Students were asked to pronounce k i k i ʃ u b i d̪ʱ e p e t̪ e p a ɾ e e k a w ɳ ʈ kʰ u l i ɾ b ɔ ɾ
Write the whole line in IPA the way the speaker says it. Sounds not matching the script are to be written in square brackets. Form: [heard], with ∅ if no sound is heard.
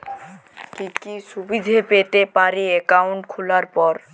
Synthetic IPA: k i k i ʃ u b i d̪ʱ e p e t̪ e p a ɾ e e k a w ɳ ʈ kʰ u l [a] ɾ [p] ɔ ɾ